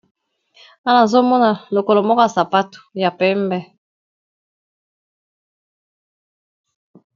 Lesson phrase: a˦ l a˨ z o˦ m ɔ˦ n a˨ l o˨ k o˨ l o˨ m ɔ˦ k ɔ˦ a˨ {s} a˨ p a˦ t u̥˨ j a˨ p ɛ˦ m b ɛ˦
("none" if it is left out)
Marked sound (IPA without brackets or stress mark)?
s